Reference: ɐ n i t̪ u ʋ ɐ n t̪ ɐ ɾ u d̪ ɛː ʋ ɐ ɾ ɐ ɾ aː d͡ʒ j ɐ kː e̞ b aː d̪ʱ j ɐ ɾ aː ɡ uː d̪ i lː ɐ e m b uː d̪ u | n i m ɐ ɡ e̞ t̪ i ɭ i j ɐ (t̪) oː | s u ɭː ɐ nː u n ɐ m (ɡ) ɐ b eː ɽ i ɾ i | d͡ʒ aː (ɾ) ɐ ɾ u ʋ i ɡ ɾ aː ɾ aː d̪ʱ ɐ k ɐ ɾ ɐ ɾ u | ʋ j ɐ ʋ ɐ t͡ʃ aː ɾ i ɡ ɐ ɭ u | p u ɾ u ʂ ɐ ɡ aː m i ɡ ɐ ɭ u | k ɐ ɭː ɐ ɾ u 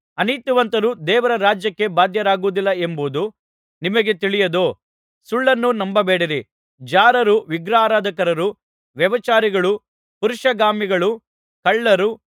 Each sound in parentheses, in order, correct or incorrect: incorrect, incorrect, correct

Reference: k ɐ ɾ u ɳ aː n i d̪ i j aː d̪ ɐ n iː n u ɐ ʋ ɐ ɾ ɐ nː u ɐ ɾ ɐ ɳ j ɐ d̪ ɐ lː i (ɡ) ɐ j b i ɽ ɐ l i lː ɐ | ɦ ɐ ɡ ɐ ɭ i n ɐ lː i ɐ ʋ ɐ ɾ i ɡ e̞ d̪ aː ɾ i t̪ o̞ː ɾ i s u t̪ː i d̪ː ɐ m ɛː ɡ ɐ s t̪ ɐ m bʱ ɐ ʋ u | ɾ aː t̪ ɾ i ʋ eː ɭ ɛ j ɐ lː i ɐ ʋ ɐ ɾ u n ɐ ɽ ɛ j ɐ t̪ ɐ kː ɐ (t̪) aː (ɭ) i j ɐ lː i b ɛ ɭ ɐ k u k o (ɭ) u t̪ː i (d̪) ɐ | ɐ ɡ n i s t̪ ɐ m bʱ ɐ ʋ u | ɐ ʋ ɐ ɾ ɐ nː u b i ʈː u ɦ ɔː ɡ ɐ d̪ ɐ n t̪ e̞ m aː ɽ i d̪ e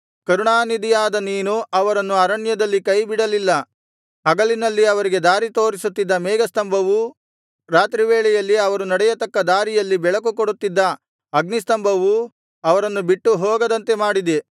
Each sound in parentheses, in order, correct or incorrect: incorrect, incorrect, incorrect, incorrect, incorrect

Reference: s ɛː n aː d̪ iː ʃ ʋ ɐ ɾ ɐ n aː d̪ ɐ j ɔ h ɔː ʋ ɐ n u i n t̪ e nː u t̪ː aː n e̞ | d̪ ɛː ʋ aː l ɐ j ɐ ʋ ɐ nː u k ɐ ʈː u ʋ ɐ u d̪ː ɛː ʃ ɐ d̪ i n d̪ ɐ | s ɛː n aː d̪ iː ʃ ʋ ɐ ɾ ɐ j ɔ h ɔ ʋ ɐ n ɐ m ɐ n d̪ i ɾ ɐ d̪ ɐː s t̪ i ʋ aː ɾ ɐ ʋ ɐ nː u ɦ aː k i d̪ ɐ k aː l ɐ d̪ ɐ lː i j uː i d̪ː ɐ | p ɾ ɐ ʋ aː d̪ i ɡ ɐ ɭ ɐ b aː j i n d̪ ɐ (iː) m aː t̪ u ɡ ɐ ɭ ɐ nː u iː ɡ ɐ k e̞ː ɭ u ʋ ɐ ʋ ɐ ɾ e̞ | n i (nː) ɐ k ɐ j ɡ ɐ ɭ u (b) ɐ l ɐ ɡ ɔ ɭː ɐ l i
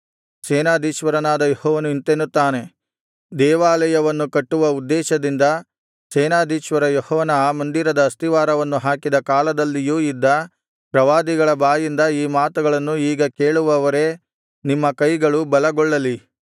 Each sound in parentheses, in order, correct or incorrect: correct, incorrect, correct

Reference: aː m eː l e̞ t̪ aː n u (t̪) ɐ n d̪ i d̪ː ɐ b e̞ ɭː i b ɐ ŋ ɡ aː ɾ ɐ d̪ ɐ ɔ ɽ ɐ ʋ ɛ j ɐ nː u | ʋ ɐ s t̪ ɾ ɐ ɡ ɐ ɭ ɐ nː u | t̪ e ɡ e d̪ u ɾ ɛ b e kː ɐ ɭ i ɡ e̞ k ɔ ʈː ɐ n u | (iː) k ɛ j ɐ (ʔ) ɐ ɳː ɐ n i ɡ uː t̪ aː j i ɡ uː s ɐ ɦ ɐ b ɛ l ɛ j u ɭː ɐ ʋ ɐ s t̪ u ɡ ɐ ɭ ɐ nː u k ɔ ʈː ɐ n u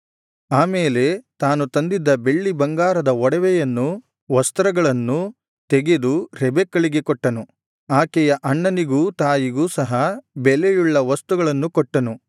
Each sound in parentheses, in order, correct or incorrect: correct, incorrect, correct

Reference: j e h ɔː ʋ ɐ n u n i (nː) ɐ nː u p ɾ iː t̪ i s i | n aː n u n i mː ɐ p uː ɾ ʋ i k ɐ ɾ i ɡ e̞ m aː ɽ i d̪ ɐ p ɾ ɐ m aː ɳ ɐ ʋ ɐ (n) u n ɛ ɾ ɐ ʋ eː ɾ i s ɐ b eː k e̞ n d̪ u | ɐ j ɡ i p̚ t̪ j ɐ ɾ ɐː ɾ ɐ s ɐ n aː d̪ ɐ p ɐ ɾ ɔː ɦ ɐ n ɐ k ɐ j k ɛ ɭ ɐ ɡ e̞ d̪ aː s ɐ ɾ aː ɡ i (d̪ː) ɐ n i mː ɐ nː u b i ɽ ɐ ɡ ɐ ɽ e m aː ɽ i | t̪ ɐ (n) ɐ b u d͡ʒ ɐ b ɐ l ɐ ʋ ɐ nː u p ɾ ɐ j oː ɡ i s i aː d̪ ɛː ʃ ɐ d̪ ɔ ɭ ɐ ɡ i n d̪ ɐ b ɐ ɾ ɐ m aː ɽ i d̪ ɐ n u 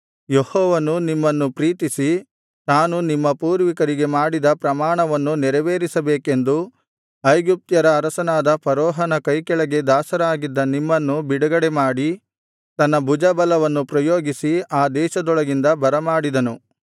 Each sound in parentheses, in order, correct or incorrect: incorrect, incorrect, correct, incorrect

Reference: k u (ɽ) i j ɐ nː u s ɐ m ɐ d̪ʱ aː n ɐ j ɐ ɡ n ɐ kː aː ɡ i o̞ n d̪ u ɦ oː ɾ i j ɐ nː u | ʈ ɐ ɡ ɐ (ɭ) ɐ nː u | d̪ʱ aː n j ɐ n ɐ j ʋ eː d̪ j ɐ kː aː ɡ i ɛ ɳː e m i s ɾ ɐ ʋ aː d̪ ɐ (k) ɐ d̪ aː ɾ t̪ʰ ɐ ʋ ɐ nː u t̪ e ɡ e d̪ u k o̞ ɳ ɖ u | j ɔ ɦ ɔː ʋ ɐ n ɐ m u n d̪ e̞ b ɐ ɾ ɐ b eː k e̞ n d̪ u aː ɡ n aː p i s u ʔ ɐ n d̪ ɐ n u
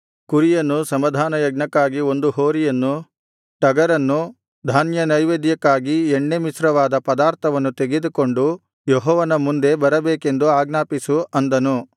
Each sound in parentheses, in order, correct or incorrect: incorrect, incorrect, incorrect

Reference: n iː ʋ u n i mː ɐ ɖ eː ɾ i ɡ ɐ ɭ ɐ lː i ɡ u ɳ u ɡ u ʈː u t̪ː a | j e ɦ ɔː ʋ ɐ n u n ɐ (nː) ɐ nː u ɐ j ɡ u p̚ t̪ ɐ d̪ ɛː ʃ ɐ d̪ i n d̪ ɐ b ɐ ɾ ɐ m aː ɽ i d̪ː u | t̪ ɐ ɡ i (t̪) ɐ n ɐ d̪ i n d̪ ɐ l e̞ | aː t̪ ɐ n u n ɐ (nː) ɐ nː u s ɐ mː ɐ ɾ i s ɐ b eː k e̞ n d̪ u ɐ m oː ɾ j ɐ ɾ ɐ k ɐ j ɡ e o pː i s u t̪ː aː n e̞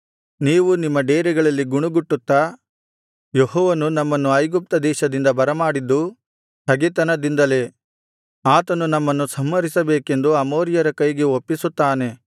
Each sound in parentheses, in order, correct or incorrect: incorrect, correct, incorrect

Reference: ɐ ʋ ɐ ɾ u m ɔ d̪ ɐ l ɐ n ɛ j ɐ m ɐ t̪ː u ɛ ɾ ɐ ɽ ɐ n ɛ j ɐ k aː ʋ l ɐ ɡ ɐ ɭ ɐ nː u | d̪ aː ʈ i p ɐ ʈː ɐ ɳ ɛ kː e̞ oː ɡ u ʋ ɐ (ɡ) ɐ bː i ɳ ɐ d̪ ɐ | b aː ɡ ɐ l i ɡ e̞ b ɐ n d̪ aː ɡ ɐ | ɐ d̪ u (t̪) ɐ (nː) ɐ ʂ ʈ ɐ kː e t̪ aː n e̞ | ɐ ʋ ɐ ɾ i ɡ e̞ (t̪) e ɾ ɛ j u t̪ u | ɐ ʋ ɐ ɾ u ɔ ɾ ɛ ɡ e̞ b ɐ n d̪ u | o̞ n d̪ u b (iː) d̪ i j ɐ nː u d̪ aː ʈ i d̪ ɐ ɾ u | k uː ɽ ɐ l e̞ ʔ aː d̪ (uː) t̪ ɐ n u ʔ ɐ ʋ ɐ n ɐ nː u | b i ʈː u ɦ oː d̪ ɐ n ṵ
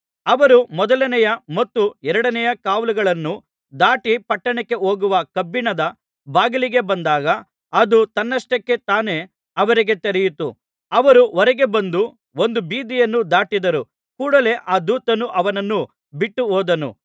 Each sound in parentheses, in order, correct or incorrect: incorrect, correct, correct, correct, correct, correct

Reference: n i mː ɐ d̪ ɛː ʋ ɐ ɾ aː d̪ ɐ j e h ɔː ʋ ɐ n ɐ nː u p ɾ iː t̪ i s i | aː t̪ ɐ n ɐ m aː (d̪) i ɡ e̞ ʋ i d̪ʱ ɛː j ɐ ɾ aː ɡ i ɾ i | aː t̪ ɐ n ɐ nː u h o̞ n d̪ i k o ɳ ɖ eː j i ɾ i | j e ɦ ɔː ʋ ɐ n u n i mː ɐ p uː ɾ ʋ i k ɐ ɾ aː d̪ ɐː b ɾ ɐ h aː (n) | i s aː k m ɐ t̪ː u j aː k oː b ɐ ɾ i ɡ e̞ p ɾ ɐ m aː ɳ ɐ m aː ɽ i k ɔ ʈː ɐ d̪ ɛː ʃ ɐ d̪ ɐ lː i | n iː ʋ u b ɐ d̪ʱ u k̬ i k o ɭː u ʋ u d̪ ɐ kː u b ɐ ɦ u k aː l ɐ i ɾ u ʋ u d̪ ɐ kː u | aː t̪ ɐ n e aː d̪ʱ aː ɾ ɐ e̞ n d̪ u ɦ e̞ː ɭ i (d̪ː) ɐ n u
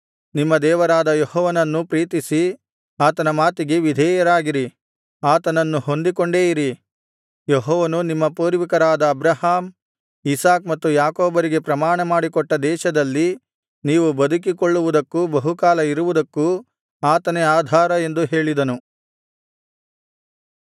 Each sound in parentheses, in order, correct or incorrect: incorrect, incorrect, incorrect

